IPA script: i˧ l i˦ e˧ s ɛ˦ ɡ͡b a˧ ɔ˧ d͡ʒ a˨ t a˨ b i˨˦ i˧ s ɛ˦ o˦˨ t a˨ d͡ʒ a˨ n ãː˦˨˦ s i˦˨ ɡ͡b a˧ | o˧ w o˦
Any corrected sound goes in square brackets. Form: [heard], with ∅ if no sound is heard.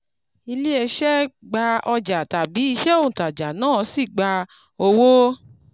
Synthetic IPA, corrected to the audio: i˧ l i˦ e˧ [ʃ] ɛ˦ ɡ͡b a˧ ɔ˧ d͡ʒ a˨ t a˨ b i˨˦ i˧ [ʃ] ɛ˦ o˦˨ t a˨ d͡ʒ a˨ n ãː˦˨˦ s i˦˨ ɡ͡b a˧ | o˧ w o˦